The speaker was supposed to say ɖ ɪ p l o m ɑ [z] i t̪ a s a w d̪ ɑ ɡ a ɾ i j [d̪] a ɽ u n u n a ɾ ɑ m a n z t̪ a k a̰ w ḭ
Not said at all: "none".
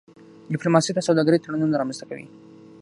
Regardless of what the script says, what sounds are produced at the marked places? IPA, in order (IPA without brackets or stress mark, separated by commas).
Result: s, t̪